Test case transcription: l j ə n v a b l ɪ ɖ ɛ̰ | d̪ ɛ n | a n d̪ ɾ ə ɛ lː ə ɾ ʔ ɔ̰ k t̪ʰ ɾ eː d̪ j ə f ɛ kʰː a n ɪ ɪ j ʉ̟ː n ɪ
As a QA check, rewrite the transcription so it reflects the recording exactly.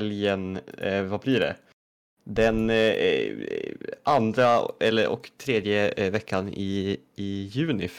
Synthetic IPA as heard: l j ə n v a b l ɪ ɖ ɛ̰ | d̪ ɛ n | a n d̪ ɾ a ɛ lː ə ɾ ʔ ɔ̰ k t̪ʰ ɾ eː d̪ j ə v ɛ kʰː a n ɪ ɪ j ʉ̟ː n ɪ